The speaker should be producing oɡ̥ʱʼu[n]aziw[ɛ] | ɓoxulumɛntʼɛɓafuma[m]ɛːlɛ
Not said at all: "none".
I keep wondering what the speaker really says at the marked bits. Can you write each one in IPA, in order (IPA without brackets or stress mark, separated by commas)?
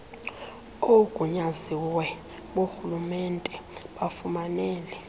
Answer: ɲ, ɛ, n